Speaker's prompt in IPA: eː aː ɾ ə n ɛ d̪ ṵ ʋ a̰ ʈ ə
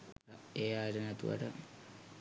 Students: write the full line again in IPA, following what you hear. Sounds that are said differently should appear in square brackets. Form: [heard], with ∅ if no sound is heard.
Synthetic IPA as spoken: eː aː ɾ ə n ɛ [t̪] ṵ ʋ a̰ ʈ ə